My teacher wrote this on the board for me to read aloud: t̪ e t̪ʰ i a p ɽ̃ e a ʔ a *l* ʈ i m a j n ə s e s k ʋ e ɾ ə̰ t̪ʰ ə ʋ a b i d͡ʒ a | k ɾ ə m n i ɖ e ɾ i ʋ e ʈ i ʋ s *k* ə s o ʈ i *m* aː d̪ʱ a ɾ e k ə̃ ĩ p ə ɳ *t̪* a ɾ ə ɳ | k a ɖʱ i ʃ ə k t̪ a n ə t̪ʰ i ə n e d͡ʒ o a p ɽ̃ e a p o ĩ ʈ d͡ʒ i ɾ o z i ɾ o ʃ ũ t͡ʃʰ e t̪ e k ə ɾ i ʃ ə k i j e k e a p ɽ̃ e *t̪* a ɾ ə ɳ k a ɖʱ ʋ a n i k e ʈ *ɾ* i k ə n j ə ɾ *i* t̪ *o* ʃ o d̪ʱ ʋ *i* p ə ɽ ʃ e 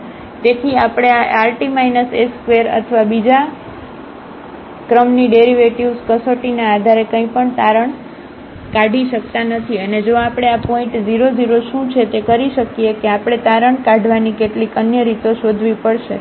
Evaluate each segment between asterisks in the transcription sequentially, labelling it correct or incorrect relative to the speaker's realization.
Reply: correct, correct, incorrect, correct, correct, incorrect, correct, correct, correct

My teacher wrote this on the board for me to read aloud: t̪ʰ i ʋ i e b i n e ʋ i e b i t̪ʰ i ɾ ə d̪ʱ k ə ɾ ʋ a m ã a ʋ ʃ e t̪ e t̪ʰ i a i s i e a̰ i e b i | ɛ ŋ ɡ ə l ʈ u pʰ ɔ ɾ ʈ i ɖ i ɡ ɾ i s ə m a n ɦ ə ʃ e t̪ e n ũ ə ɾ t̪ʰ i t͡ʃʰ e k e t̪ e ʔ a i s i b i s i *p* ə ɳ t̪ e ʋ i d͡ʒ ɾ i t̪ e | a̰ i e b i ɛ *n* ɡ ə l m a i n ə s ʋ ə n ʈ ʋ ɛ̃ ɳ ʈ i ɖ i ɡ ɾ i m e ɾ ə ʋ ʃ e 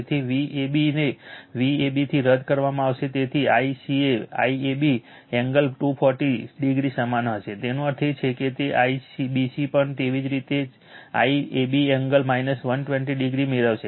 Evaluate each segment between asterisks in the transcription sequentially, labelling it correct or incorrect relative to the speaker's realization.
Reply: correct, incorrect

